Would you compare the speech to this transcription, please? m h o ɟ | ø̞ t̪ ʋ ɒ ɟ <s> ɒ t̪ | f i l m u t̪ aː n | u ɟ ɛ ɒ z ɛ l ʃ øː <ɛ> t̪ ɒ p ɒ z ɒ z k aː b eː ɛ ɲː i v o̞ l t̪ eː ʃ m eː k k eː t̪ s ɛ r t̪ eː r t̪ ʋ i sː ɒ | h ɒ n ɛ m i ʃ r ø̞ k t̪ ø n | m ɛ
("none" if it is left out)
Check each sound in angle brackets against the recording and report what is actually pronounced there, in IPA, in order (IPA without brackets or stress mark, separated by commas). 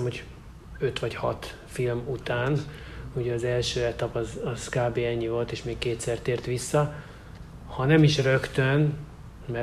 h, ɛ